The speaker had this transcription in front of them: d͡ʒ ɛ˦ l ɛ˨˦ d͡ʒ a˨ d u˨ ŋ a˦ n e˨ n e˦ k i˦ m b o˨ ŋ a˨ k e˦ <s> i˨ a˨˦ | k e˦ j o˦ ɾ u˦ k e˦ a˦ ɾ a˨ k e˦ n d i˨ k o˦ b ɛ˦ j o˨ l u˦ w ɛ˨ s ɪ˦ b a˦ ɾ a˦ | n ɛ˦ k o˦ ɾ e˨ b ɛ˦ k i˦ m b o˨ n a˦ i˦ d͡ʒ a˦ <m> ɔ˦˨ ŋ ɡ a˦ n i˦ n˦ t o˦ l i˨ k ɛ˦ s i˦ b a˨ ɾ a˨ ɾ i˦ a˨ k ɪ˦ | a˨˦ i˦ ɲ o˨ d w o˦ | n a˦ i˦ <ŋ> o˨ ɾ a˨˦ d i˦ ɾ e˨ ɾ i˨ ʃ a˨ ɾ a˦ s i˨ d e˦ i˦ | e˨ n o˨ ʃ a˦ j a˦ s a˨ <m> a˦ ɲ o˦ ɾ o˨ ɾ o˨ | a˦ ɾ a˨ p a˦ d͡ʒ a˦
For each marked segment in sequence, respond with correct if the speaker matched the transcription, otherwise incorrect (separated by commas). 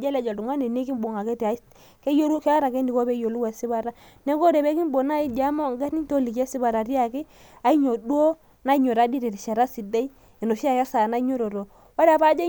incorrect, correct, incorrect, incorrect